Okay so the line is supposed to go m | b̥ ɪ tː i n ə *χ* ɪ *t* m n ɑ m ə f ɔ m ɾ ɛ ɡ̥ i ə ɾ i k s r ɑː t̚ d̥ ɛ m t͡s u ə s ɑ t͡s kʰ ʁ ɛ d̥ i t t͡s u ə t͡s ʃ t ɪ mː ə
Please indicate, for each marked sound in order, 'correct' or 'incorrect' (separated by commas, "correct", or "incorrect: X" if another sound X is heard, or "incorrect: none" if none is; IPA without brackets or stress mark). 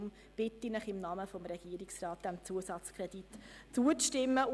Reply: correct, incorrect: none